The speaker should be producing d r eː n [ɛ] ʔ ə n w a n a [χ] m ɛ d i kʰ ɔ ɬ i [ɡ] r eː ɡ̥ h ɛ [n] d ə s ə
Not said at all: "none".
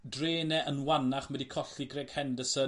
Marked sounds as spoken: ɛ, χ, ɡ, n

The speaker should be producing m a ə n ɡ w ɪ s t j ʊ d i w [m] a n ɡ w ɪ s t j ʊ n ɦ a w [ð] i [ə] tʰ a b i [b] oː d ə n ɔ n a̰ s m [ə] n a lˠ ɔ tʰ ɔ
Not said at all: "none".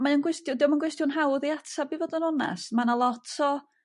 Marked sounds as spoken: m, ð, a, v, a

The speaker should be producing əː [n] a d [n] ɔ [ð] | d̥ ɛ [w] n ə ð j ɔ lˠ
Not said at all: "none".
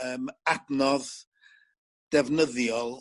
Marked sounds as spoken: m, n, ð, v

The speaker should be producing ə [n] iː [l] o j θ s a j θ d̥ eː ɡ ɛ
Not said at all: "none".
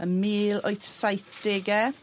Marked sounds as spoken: m, l

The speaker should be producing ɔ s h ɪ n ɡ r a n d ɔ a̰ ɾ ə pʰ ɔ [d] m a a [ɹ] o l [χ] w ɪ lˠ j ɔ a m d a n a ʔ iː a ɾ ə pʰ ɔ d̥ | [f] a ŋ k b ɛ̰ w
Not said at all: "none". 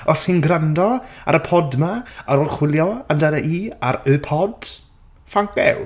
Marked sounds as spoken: d, ɾ, χ, f

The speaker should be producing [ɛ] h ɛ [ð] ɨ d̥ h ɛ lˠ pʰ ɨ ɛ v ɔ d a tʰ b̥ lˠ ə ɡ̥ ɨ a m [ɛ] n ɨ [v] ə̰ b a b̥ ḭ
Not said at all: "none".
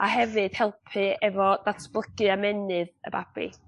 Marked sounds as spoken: a, v, ɛ, ð

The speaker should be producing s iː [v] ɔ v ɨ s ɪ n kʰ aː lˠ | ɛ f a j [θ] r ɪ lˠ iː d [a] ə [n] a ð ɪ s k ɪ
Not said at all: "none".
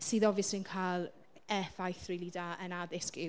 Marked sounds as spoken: ð, θ, a, n

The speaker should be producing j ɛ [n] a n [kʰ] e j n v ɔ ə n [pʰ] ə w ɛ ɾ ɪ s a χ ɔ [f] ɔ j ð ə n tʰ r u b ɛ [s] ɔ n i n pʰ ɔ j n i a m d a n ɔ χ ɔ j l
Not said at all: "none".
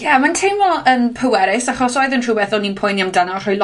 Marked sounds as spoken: m, tʰ, pʰ, s, θ

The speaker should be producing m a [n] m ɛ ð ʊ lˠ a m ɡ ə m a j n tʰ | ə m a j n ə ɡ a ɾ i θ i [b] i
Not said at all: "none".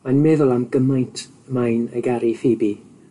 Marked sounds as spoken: n, b

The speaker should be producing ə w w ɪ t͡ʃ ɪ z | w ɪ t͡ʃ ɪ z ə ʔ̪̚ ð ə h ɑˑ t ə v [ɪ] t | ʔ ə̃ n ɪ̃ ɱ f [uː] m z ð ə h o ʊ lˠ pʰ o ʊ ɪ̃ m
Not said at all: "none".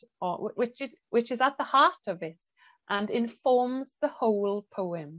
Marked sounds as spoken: ɪ, ɔː

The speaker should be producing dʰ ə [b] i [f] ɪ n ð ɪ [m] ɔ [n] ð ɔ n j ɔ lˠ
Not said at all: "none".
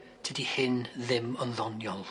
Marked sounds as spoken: d, h, m, n

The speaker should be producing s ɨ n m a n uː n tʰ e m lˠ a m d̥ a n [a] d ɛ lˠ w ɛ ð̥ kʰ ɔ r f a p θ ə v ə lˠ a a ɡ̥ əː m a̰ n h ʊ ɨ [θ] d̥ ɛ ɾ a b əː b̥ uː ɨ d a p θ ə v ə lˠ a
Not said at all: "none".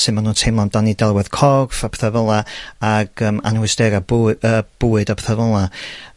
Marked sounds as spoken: i, s

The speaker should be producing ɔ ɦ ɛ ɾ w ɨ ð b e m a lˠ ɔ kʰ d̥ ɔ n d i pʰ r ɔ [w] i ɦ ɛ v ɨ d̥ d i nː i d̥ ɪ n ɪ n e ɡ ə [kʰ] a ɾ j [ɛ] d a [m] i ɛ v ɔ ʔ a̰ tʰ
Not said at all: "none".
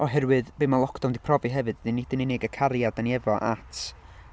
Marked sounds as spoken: v, kʰ, a, n

